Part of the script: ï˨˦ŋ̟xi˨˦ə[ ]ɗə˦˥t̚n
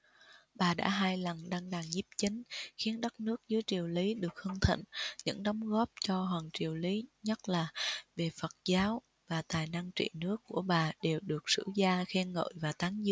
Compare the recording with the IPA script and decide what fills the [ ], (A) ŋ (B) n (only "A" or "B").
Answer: B